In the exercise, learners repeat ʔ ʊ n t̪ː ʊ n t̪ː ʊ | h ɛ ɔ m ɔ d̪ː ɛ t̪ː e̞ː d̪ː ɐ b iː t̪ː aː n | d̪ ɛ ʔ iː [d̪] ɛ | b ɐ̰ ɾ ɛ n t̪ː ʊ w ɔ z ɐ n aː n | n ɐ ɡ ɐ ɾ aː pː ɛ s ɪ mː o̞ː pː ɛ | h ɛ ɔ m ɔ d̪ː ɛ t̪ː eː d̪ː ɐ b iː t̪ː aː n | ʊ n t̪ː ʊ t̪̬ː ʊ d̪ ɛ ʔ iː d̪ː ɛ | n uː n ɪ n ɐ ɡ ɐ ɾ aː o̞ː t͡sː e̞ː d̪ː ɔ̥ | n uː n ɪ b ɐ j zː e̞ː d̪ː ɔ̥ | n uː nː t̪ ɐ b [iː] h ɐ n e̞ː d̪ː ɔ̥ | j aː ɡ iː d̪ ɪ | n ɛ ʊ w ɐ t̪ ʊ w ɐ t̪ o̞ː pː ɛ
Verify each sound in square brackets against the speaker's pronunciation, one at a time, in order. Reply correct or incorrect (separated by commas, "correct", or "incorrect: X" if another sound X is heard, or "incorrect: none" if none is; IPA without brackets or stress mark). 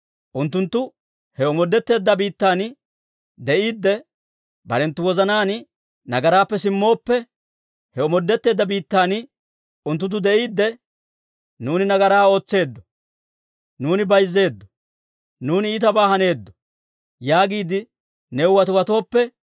incorrect: d̪ː, incorrect: aː